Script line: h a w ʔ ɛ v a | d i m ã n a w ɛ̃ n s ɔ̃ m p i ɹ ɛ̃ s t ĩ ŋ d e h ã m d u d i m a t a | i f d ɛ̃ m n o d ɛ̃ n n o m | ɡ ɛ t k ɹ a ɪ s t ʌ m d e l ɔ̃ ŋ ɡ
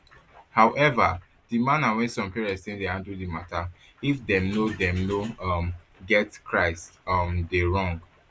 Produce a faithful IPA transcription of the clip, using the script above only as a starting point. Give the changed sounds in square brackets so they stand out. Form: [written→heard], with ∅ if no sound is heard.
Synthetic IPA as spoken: h a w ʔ ɛ v a | d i m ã n a w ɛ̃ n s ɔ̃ m p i ɹ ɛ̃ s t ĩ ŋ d e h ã [m→n] d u d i m a t a | i f d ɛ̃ m n o d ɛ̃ [n→m] n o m | ɡ ɛ t k ɹ a ɪ s t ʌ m d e [l→ɹ] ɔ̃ ŋ ɡ